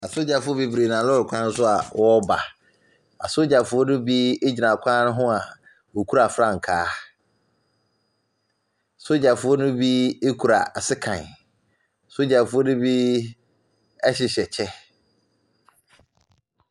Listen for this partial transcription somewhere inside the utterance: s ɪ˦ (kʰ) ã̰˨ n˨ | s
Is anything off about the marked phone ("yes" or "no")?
no